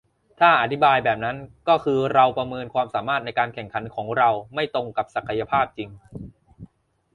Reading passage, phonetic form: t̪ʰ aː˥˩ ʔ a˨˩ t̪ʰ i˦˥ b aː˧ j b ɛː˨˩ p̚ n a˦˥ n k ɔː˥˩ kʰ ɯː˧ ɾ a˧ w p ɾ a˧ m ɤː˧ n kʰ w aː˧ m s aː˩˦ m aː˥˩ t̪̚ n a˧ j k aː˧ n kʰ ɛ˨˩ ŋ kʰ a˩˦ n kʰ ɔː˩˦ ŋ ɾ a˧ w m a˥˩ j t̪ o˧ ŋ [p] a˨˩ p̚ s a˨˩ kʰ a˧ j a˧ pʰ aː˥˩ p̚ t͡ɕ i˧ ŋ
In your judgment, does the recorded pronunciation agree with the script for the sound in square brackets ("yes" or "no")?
no